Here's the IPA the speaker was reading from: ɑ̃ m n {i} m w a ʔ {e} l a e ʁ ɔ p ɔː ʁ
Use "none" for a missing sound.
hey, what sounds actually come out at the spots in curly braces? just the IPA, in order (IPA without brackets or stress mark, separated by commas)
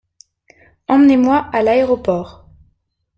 e, a